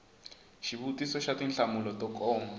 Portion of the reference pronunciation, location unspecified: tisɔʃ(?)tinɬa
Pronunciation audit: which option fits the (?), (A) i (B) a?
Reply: B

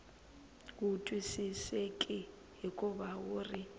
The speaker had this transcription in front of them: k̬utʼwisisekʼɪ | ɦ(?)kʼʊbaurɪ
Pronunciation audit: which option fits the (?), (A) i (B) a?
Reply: A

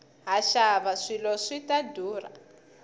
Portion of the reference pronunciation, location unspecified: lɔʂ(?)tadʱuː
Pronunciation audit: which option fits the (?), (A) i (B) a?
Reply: A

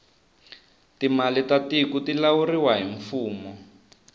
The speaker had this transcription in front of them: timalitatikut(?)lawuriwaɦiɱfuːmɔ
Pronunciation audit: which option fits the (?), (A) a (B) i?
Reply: B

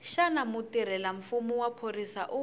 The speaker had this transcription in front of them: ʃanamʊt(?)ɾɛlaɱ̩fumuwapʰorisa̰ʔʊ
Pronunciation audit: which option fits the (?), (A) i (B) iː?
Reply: A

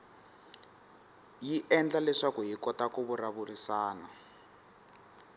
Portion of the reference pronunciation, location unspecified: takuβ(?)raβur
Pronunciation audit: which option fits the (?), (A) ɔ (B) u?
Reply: B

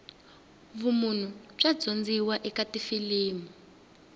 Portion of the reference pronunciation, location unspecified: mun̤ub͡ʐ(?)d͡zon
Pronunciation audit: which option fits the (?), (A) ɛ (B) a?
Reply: B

